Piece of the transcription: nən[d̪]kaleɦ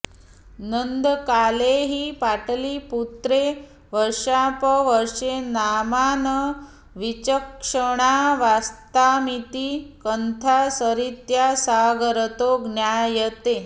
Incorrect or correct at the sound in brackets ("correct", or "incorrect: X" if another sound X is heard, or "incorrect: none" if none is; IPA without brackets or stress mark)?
correct